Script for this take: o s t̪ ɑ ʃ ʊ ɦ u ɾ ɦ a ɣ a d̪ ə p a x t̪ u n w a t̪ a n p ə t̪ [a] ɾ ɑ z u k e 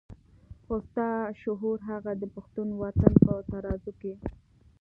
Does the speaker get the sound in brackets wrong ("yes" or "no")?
no